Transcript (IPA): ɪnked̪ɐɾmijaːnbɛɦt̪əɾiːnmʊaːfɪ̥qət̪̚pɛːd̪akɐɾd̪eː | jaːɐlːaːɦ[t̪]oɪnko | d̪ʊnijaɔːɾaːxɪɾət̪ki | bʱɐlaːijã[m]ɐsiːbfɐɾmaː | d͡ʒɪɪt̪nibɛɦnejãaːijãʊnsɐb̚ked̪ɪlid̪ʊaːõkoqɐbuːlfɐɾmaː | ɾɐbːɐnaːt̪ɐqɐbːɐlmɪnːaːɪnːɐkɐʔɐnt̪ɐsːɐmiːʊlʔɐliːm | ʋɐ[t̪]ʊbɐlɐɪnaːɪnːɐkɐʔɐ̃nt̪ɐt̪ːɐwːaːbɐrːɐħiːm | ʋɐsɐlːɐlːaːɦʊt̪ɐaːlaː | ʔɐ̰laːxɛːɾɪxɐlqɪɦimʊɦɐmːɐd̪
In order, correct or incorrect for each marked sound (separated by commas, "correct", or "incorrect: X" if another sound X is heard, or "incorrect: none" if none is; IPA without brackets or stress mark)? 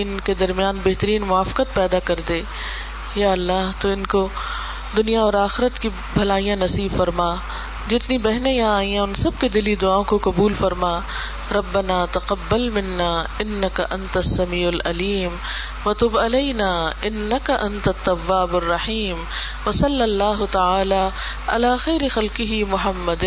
correct, incorrect: n, correct